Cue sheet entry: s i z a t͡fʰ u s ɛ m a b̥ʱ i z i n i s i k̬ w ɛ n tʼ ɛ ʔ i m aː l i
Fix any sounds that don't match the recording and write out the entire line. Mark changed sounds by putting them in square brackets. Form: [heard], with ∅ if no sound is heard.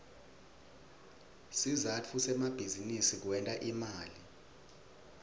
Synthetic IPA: s i z a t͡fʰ u s ɛ m a b̥ʱ i z i n i s i k̬ w ɛ n tʼ [a] ʔ i m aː l i